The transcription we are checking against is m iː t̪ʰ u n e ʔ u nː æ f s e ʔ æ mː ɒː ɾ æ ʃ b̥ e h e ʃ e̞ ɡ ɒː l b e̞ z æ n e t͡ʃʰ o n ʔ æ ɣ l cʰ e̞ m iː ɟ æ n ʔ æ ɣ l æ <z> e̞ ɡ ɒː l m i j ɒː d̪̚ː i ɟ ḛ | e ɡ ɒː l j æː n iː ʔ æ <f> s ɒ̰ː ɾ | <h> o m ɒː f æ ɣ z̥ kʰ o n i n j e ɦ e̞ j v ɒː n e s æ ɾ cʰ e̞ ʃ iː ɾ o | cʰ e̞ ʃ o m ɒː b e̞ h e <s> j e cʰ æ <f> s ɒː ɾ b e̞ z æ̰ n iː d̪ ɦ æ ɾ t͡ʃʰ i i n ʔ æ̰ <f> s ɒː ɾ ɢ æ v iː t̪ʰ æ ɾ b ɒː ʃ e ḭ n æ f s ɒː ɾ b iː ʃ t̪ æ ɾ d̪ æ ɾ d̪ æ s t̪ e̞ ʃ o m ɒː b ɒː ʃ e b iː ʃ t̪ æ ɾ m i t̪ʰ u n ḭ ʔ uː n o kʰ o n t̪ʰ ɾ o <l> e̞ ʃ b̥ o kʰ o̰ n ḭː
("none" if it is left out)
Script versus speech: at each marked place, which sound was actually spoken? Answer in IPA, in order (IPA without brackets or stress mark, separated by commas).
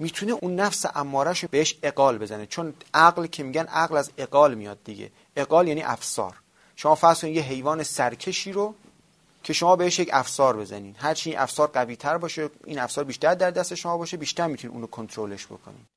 z, f, ʃ, ʃ, f, f, l